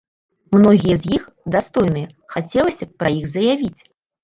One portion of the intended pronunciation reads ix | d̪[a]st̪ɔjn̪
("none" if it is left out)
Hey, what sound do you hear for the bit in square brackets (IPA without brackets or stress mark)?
a